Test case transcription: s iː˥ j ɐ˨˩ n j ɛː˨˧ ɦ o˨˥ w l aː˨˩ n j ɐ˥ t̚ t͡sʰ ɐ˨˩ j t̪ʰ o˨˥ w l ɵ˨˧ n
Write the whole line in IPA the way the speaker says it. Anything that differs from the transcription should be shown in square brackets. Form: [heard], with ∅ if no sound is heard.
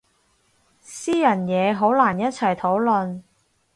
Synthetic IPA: s iː˥ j ɐ˨˩ n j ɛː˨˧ ɦ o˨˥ w l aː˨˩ n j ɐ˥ t̚ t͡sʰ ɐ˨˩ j t̪ʰ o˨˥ w l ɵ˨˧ n